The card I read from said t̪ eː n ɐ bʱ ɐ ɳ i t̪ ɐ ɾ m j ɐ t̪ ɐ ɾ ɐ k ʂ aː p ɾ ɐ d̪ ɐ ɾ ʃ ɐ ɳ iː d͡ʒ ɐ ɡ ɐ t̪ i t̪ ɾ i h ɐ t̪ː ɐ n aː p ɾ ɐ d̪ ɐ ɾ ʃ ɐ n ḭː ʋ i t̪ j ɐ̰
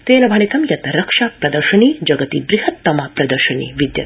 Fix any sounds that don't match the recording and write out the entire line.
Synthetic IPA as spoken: t̪ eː n ɐ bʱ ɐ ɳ i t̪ ɐ m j ɐ t̪ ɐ ɾ ɐ k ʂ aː p ɾ ɐ d̪ ɐ ɾ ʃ ɐ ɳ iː d͡ʒ ɐ ɡ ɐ t̪ i d̪ ɾ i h ɐ t̪ː ɐ m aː p ɾ ɐ d̪ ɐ ɾ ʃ ɐ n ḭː ʋ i d̪ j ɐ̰